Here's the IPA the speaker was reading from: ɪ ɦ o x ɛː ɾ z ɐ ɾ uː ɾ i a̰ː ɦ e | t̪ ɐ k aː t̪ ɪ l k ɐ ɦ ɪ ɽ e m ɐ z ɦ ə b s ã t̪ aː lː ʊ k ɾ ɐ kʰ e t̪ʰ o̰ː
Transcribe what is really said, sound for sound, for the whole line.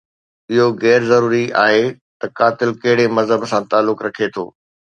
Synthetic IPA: ɪ ɦ o ɣ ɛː ɾ z ɐ ɾ uː ɾ i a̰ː ɦ e | t̪ ɐ k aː t̪ ɪ l k ɐ ɦ ɪ ɽ e m ɐ z ɦ ə b s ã t̪ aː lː ʊ k ɾ ɐ kʰ e t̪ʰ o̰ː